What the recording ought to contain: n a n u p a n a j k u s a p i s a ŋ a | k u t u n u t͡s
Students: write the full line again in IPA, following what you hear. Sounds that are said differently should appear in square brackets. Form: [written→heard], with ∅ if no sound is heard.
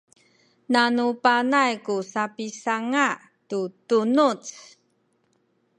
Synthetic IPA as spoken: n a n u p a n a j k u s a p i s a ŋ a | [k→t] u t u n u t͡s

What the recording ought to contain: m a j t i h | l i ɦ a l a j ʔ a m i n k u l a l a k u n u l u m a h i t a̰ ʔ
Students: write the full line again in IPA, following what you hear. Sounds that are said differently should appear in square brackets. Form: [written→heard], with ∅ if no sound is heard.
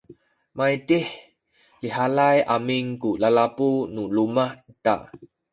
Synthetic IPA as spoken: m a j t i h | l i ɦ a l a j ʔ a m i [n→ŋ] k u l a l a [k→p] u n u l u m a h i t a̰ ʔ

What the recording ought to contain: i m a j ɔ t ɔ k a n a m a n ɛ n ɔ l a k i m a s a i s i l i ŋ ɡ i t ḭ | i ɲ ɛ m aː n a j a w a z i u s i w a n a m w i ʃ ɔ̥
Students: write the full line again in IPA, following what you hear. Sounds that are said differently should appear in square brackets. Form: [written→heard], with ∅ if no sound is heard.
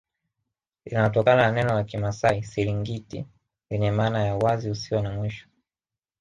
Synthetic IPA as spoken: i [m→n] a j ɔ t ɔ k a n a [m→n] a n ɛ n ɔ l a k i m a s a i s i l i ŋ ɡ i t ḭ | i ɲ ɛ m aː n a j a w a z i u s i w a n a m w i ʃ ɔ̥

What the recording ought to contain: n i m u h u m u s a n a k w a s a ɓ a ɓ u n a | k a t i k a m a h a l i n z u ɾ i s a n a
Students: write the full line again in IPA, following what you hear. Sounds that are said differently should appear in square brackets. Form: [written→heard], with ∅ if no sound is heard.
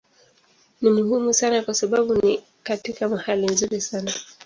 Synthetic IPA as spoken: n i m u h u m u s a n a k w a s a ɓ a ɓ u n [a→i] | k a t i k a m a h a l i n z u ɾ i s a n a

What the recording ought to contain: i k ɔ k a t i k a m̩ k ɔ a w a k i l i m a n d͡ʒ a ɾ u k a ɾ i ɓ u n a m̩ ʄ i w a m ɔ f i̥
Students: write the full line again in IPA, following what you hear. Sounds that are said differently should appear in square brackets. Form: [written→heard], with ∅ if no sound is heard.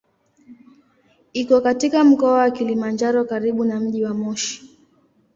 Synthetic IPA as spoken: i k ɔ k a t i k a m̩ k ɔ a w a k i l i m a n d͡ʒ a ɾ [u→ɔ] k a ɾ i ɓ u n a m̩ ʄ i w a m ɔ [f→ʃ] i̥

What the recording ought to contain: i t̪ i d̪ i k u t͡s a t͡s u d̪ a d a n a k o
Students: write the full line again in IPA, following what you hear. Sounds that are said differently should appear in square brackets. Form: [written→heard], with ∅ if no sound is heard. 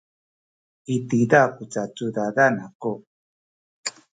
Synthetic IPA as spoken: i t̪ i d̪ [i→a] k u t͡s a t͡s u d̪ a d a n a k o

